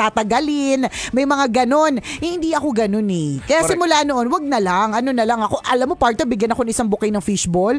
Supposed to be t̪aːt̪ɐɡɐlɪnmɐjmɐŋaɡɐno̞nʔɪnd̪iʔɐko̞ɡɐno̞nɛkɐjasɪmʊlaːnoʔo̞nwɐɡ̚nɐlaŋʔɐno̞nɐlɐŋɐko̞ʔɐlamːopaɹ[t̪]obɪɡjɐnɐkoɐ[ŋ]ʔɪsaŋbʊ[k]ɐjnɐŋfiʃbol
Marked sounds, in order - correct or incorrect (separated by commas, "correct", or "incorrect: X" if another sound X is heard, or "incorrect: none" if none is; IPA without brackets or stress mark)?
correct, correct, correct